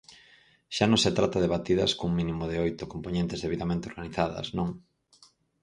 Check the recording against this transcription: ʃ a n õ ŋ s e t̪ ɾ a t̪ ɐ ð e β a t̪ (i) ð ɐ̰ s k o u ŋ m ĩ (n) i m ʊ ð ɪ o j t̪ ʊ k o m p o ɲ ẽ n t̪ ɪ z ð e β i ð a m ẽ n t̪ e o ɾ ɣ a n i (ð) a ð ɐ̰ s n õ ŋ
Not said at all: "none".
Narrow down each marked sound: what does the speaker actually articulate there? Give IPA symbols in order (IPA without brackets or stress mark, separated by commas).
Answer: i, n, θ